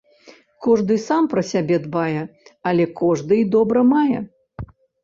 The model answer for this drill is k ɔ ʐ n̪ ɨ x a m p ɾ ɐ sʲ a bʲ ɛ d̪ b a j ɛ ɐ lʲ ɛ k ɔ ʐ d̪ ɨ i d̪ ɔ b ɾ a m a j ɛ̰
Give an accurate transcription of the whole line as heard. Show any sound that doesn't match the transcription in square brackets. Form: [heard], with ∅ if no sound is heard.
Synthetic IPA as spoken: k ɔ ʐ [d̪] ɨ [s] a m p ɾ ɐ sʲ a bʲ ɛ d̪ b a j ɛ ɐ lʲ ɛ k ɔ ʐ d̪ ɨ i d̪ ɔ b ɾ [ɐ] m a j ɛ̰